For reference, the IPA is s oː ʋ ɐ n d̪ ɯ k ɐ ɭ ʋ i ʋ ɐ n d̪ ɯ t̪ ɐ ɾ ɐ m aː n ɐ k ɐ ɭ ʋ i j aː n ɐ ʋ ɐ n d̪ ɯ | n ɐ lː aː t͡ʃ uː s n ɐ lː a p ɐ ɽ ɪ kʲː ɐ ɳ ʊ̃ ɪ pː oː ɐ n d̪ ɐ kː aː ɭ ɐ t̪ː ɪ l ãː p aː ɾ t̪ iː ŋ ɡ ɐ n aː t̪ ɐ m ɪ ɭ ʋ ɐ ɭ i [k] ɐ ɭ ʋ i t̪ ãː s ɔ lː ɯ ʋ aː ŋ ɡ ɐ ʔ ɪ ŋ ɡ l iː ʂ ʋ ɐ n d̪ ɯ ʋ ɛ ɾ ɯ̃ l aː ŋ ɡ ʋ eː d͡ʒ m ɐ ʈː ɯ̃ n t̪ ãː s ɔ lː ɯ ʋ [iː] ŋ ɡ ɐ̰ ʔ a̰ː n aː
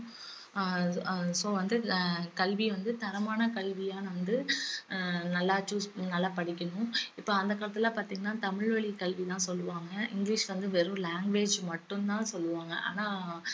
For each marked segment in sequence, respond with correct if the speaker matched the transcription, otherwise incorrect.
correct, incorrect

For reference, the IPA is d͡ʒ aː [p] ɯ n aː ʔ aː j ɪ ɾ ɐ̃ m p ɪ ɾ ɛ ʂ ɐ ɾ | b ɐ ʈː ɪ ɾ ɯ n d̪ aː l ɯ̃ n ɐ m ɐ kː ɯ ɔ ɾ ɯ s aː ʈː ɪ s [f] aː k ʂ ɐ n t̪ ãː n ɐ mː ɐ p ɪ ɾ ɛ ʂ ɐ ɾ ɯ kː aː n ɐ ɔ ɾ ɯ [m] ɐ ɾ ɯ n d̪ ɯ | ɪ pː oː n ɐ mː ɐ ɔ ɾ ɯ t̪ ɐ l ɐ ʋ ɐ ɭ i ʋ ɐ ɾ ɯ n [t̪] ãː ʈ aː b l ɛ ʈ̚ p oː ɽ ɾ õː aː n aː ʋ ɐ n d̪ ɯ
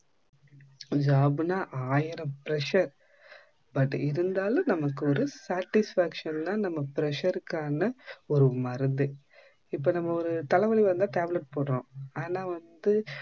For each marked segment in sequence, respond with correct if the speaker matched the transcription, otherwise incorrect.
incorrect, correct, correct, incorrect

